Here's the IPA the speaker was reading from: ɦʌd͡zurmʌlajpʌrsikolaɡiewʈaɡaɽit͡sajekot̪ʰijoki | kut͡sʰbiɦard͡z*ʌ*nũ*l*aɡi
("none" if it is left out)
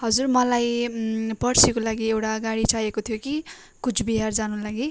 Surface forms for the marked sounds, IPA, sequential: a, l

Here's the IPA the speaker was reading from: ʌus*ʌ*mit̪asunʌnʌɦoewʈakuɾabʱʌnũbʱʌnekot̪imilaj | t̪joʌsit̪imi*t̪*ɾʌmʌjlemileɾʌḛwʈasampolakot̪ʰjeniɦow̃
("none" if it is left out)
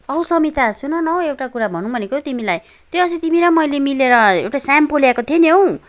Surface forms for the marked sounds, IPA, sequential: ʌ, none

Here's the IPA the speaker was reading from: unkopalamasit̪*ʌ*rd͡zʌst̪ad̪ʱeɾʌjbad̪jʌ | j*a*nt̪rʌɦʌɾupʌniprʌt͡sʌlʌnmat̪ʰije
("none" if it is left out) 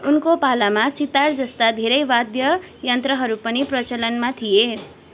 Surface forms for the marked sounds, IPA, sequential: a, ʌ

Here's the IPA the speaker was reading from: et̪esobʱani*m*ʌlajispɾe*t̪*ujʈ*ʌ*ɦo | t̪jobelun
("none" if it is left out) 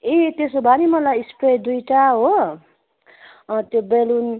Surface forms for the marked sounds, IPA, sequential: m, d̪, a

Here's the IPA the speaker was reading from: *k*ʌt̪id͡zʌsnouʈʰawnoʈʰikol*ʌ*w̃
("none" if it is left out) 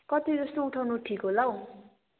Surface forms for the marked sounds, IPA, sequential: k, a

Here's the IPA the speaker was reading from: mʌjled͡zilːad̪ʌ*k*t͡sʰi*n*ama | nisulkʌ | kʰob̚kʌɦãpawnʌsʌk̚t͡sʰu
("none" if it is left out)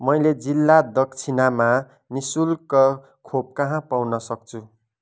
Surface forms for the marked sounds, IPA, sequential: k, n

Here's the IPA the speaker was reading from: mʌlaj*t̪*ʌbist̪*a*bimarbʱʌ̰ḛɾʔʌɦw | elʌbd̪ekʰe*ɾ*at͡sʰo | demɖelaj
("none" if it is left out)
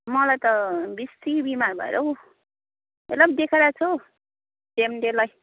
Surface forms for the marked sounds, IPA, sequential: t̪, i, ɾ

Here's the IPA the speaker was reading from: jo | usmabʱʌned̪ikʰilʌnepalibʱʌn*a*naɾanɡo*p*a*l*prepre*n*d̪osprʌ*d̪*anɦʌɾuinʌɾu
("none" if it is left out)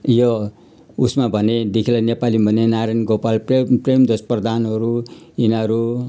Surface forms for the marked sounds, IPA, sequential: e, p, l, m, d̪

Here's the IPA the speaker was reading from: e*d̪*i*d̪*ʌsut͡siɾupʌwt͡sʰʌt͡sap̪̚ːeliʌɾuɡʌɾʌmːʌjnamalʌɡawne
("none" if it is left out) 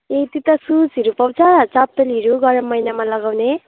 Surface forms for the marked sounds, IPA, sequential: t̪, t̪

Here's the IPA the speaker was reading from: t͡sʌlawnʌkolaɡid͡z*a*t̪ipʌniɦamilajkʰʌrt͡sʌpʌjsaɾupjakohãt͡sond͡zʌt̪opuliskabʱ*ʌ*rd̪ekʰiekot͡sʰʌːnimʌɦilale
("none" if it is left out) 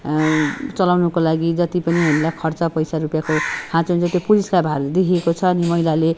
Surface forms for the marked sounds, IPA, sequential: ʌ, a

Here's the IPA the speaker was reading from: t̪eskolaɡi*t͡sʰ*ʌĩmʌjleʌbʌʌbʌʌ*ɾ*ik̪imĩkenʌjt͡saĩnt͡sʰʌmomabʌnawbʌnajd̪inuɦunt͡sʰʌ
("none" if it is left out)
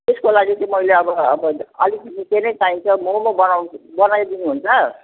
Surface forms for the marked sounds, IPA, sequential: t͡s, l

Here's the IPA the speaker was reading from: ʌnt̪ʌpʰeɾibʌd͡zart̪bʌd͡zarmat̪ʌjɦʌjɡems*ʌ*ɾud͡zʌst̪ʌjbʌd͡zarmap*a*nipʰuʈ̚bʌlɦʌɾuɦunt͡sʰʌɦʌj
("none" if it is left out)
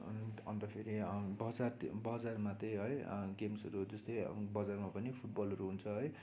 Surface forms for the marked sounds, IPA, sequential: ʌ, ʌ

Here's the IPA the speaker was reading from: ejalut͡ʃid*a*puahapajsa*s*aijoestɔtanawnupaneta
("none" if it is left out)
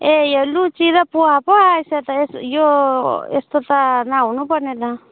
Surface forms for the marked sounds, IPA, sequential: a, t

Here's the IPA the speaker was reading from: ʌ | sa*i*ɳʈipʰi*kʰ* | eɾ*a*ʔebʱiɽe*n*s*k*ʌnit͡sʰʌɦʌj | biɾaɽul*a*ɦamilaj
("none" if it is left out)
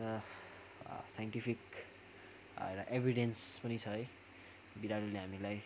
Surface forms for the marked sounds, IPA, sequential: j, k, a, n, p, e

